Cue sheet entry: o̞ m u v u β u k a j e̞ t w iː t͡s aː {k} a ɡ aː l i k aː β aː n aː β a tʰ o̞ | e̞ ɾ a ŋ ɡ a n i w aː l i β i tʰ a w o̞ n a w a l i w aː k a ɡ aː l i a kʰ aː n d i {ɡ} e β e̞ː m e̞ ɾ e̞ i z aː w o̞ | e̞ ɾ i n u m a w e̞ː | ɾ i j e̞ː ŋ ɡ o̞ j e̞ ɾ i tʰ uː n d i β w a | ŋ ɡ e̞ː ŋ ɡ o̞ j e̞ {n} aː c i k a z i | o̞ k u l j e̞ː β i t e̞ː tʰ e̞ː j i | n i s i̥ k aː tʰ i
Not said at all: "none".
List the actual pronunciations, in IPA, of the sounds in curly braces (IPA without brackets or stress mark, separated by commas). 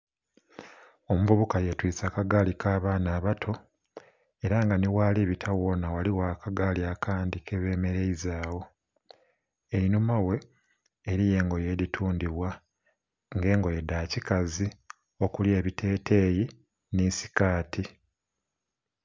k, k, d